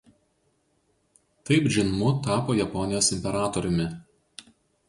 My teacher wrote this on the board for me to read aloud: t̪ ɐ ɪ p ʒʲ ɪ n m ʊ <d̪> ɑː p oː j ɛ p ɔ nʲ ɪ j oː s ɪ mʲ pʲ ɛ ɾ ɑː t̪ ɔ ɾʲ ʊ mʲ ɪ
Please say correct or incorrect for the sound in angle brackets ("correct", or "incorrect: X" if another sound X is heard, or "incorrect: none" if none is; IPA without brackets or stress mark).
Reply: incorrect: t̪